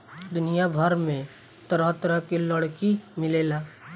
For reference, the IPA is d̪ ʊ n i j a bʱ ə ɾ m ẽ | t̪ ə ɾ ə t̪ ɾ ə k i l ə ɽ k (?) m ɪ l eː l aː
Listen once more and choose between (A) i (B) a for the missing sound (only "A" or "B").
A